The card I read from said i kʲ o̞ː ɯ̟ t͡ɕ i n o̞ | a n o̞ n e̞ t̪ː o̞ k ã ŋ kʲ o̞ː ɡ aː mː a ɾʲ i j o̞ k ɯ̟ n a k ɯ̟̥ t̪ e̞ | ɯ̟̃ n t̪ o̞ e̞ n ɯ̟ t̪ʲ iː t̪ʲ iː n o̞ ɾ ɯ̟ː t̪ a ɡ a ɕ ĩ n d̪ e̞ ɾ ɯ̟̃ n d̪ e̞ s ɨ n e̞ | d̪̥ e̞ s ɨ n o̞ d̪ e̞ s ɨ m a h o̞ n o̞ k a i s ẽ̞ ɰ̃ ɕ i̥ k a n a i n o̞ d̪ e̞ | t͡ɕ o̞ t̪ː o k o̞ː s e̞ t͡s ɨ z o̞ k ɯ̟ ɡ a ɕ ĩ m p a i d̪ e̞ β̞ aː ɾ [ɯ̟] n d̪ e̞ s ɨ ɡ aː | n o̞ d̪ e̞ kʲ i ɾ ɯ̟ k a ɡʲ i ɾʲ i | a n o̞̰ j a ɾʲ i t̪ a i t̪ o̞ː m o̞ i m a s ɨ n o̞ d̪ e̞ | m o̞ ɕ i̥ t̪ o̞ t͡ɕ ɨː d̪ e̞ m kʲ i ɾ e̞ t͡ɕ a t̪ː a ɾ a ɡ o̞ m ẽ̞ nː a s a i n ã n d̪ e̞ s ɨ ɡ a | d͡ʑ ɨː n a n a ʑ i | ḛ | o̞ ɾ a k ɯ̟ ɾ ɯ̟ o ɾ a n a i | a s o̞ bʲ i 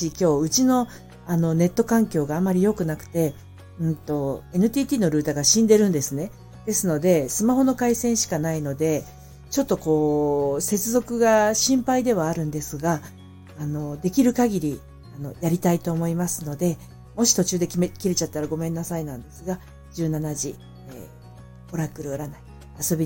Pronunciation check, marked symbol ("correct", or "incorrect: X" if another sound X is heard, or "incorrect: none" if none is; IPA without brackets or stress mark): incorrect: ɯ̟̃